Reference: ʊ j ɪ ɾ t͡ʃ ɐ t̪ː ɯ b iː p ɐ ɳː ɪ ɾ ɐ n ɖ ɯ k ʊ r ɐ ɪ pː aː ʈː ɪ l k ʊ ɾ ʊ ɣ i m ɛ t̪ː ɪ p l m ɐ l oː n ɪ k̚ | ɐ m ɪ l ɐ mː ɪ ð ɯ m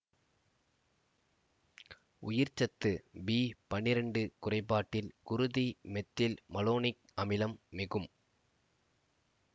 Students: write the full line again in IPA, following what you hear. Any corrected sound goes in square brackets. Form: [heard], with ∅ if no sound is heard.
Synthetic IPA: ʊ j ɪ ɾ t͡ʃ ɐ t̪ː ɯ b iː p ɐ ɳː ɪ ɾ ɐ [ɳ] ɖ ɯ k ʊ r ɐ ɪ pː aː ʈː ɪ l k ʊ ɾ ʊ [ð] i m ɛ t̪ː ɪ [∅] l m ɐ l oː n ɪ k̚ | ɐ m ɪ l ɐ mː ɪ [ɣ] ɯ m